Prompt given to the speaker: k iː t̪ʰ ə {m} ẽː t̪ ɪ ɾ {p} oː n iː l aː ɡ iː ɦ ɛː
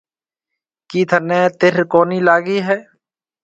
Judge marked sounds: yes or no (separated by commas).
no, no